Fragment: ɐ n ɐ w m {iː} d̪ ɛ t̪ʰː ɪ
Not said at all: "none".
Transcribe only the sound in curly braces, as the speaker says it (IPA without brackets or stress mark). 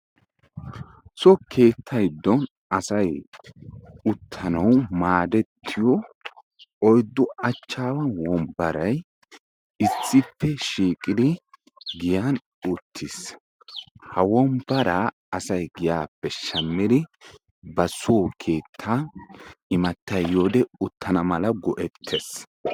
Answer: aː